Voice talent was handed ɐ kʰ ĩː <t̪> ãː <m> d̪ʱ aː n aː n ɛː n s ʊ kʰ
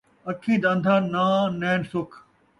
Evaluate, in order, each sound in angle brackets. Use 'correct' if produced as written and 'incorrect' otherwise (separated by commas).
incorrect, incorrect